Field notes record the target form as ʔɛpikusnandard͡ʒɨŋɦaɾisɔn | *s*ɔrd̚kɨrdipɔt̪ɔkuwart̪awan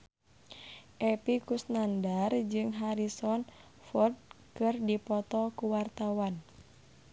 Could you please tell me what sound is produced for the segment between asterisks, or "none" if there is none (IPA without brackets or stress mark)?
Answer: f